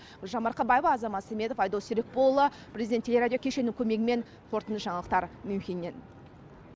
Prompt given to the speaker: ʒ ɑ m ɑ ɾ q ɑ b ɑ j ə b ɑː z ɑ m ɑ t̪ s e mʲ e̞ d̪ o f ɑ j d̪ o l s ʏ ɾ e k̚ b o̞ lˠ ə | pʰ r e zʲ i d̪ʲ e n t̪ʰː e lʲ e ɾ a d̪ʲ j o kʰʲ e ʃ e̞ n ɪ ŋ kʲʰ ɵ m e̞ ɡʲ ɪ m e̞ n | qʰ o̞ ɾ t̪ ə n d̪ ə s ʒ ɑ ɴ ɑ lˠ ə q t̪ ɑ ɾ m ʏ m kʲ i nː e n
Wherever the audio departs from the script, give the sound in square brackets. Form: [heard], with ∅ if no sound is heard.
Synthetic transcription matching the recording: ʒ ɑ m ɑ ɾ q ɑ b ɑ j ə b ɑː z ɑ m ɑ t̪ s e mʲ e̞ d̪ o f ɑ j d̪ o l s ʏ ɾ e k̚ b o̞ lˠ ə | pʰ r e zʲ i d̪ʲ e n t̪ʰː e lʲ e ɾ a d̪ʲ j o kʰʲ e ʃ e̞ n ɪ ŋ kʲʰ ɵ m e̞ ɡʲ ɪ m e̞ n | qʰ o̞ ɾ t̪ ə n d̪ ə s ʒ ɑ ɴ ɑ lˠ ə q t̪ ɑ ɾ m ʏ m kʲ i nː e n